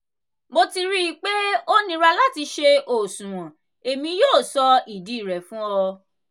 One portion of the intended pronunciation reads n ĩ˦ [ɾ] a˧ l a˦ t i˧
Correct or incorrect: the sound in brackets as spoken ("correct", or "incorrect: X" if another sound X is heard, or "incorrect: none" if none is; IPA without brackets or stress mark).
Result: correct